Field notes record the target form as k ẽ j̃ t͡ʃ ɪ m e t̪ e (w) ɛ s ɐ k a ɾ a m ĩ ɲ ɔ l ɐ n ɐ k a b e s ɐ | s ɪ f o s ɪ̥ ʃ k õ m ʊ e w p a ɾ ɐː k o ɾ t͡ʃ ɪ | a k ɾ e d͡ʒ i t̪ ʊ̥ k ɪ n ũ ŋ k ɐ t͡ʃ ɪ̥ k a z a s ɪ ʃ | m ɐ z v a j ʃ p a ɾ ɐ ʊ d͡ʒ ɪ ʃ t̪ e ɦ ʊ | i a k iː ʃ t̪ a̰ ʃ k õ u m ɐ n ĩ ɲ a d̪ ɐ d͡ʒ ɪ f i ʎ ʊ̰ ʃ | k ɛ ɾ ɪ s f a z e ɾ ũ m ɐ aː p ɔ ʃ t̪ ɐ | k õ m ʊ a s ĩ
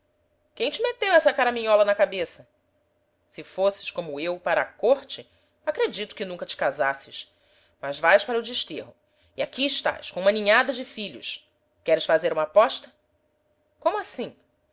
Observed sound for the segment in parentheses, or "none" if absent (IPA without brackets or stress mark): w